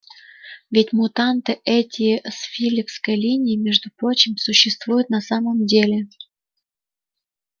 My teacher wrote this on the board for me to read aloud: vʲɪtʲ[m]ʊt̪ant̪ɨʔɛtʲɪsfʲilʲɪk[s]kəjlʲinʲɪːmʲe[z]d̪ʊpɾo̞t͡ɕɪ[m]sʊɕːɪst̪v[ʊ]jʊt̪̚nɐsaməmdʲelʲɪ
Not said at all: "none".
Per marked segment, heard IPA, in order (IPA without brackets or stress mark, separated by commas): m, s, ʐ, m, u